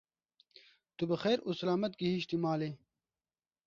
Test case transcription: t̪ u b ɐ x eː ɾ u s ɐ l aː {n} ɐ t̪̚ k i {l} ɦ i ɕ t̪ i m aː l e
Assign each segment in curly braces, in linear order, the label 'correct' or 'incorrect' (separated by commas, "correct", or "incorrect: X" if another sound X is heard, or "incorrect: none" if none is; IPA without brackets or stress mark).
incorrect: m, incorrect: none